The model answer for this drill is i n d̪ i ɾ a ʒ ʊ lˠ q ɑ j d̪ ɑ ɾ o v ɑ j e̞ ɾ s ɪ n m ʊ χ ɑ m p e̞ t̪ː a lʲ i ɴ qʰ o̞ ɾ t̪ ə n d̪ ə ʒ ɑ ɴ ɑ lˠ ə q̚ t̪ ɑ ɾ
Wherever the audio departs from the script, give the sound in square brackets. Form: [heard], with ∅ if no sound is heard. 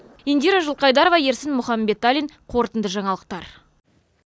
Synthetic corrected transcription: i n d̪ i ɾ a ʒ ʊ lˠ q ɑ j d̪ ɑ ɾ o v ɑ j e̞ ɾ s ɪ n m ʊ χ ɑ m [b] e̞ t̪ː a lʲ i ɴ qʰ o̞ ɾ t̪ ə n d̪ ə ʒ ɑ ɴ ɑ lˠ ə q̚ t̪ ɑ ɾ